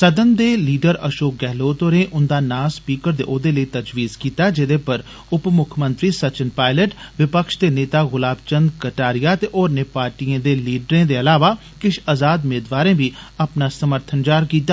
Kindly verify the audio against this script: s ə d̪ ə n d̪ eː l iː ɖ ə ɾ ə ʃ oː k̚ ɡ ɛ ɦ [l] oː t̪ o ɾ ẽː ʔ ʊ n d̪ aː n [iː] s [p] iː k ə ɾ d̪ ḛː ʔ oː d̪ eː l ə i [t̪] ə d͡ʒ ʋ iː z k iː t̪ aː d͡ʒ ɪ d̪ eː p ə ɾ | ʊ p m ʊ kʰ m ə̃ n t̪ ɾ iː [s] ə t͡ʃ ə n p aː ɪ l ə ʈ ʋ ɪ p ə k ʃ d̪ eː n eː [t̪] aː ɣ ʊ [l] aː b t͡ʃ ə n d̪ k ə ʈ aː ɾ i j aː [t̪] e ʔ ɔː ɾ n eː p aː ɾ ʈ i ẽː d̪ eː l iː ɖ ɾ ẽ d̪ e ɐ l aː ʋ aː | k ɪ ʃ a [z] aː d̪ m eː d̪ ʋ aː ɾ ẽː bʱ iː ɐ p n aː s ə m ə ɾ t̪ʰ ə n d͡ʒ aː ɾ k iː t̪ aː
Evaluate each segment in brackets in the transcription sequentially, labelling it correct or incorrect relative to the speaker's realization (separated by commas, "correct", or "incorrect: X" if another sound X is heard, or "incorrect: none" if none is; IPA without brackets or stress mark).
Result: correct, incorrect: aː, correct, correct, correct, correct, correct, correct, correct